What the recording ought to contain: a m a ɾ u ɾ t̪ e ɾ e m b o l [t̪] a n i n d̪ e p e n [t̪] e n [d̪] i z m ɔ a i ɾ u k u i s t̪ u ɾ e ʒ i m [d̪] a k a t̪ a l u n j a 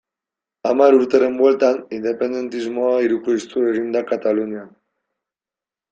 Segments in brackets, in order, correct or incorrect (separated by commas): correct, incorrect, incorrect, correct